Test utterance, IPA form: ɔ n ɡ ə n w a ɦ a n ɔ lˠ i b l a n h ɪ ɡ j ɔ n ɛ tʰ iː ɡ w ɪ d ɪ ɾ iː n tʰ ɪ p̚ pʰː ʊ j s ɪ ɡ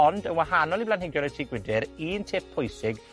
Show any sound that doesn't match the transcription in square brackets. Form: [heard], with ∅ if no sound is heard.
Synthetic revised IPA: ɔ n [d] ə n w a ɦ a n ɔ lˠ i b l a n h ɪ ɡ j ɔ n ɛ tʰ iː ɡ w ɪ d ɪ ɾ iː n tʰ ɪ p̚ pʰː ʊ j s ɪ ɡ